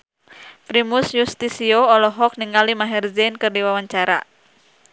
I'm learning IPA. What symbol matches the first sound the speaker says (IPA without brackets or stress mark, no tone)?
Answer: p